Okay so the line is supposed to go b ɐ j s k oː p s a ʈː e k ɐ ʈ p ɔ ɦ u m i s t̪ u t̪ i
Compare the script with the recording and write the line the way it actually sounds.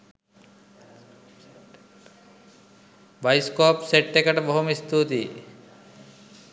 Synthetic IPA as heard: b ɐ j s k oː p s e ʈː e k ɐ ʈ b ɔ ɦ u m i s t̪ u t̪ i